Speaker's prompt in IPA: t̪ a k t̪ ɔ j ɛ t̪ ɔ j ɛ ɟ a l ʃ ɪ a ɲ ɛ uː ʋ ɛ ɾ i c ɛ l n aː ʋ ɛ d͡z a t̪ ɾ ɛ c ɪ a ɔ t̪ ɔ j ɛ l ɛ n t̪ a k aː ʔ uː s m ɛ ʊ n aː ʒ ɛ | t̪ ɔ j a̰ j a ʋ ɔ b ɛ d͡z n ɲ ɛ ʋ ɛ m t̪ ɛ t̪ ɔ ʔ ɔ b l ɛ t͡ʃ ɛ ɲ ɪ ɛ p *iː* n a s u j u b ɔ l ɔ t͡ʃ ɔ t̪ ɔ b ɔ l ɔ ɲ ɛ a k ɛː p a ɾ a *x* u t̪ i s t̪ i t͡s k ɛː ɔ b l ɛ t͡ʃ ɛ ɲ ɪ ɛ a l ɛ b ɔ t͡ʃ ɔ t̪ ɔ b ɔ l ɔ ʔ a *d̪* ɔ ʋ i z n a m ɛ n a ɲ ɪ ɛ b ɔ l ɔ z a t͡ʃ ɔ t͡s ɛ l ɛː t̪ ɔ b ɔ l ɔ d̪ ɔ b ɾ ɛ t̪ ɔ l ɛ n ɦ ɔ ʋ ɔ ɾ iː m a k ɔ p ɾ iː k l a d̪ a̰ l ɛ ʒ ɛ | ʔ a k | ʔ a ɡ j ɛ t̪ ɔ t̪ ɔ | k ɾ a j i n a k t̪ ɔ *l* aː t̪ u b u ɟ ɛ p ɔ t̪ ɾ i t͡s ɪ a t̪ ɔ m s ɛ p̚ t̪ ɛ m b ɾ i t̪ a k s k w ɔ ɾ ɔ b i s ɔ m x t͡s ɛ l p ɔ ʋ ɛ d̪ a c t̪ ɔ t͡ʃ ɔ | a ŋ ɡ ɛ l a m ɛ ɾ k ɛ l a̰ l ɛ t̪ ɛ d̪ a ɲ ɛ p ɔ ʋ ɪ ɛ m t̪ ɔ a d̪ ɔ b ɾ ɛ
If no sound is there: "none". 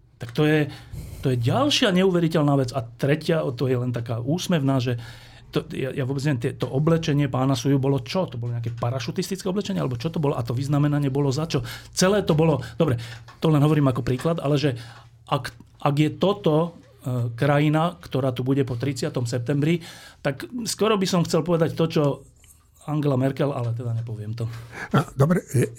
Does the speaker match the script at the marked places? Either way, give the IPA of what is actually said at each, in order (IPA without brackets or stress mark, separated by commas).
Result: aː, ʃ, t̪, ɾ